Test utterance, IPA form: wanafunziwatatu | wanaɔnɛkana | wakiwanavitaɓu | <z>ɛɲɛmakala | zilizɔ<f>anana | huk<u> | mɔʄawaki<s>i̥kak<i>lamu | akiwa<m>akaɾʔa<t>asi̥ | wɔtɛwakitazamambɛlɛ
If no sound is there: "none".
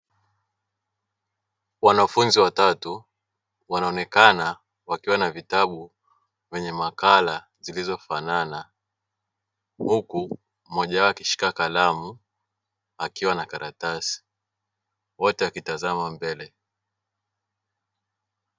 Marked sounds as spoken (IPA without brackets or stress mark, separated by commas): v, f, u, ʃ, a, n, t